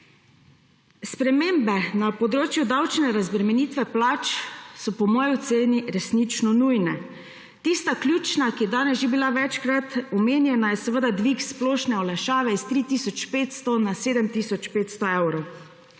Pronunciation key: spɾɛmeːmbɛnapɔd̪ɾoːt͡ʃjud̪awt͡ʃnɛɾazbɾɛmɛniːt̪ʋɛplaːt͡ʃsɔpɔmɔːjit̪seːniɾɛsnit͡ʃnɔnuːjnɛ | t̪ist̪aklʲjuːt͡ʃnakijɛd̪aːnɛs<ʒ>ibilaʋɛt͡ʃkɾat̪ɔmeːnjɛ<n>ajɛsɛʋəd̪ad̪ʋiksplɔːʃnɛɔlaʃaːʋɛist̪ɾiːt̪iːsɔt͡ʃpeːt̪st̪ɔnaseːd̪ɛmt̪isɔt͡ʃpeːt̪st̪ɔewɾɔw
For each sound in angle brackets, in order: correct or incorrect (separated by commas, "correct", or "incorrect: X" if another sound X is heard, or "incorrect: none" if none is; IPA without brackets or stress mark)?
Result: correct, correct